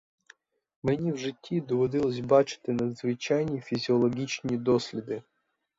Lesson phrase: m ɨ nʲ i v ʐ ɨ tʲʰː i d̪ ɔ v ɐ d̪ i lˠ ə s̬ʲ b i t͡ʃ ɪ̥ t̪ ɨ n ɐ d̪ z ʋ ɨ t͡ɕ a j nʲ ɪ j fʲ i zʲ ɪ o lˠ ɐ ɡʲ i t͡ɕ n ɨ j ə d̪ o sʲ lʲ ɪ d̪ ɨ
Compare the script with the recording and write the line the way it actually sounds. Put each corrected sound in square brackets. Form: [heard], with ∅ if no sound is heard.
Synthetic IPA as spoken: m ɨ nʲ i v ʐ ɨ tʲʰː i d̪ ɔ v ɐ d̪ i lˠ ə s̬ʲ b [a] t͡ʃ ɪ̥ t̪ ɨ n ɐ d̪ z [v] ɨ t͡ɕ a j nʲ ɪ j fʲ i zʲ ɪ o lˠ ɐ ɡʲ i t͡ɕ n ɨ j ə d̪ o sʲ lʲ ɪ d̪ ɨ